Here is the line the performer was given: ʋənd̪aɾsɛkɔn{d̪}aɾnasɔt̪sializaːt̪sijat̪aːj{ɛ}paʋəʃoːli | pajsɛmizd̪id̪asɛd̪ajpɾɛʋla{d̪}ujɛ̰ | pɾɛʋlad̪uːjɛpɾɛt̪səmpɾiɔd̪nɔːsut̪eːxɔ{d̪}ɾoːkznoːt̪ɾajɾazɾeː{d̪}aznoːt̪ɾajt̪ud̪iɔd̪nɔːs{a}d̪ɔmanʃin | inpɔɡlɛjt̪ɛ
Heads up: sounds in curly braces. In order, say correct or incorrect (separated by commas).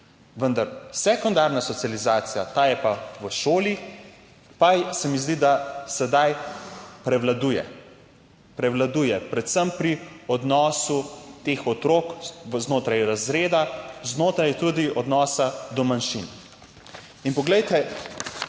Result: correct, correct, correct, incorrect, correct, correct